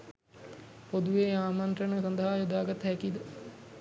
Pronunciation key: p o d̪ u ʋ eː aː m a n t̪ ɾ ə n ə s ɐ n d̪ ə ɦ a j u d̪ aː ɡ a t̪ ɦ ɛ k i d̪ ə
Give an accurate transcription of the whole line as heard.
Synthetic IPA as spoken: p o d̪ u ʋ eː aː m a n t̪ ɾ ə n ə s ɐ n d̪ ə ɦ a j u d̪ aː ɡ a t̪ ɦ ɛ k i d̪ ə